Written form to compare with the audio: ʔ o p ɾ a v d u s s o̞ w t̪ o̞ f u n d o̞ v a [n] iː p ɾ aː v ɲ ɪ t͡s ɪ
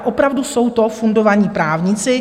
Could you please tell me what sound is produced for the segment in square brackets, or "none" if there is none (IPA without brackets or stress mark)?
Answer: ɲ